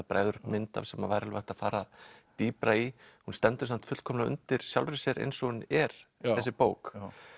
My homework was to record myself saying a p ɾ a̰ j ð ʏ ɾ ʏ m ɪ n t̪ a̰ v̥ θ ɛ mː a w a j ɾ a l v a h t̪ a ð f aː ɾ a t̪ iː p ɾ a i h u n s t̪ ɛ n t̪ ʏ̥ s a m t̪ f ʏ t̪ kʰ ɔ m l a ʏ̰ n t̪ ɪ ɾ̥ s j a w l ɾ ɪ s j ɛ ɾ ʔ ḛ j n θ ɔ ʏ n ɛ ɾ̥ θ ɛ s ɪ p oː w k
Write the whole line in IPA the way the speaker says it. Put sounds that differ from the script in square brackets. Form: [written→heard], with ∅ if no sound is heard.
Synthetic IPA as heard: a p ɾ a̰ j ð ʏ ɾ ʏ m ɪ n t̪ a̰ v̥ [θ→s] ɛ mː a [w→v] a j ɾ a l v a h t̪ a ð f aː ɾ a t̪ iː p ɾ a i h u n s t̪ ɛ n t̪ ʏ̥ s a m t̪ f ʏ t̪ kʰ ɔ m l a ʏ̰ n t̪ ɪ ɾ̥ s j a w l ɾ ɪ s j ɛ ɾ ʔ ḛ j n [θ→s] ɔ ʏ n ɛ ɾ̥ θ ɛ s ɪ p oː w k